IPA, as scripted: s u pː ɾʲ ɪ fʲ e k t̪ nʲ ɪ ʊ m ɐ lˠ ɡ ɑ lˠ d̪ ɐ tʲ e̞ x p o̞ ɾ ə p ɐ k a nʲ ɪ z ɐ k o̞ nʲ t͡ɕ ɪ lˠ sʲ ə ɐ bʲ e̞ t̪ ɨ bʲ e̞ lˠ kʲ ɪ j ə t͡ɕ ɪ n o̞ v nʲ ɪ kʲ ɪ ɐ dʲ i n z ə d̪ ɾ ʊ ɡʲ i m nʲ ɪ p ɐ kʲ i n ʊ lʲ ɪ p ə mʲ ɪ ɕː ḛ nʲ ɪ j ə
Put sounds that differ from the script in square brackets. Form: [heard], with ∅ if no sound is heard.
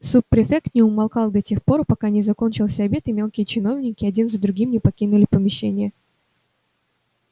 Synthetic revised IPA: s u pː ɾʲ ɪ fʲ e k t̪ nʲ ɪ ʊ m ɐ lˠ [k] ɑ lˠ d̪ ɐ tʲ e̞ x p o̞ ɾ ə p ɐ k a nʲ ɪ z ɐ k o̞ nʲ t͡ɕ ɪ lˠ sʲ ə ɐ bʲ e̞ t̪ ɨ [mʲ] e̞ lˠ kʲ ɪ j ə t͡ɕ ɪ n o̞ v nʲ ɪ kʲ ɪ ɐ dʲ i n z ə d̪ ɾ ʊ ɡʲ i m nʲ ɪ p ɐ kʲ i n ʊ lʲ ɪ p ə mʲ ɪ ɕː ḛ nʲ ɪ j ə